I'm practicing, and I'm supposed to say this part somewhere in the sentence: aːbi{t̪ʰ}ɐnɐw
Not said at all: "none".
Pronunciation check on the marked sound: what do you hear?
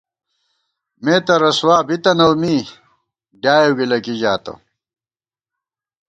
t̪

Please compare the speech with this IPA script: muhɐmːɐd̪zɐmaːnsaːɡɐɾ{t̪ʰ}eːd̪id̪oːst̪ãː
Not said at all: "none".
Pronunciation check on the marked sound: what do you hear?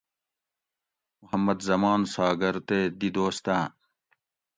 t̪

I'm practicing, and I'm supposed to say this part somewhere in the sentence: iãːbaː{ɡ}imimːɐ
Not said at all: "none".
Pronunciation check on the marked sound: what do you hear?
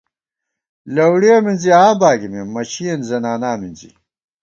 ɡ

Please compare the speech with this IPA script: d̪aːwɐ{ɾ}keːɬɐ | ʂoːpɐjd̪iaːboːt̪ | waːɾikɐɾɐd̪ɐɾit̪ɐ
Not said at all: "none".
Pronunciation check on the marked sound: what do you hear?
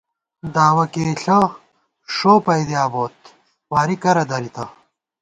none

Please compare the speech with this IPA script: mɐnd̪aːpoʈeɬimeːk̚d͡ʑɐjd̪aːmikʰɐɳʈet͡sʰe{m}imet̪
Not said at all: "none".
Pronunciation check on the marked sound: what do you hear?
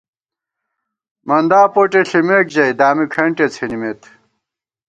n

